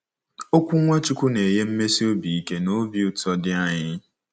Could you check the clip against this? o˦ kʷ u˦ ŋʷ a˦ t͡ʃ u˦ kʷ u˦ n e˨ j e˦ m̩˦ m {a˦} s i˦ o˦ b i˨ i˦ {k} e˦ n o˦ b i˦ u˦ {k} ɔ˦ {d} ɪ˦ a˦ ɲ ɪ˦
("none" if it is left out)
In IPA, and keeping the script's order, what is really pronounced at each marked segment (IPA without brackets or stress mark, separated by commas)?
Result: e˦, k, t, d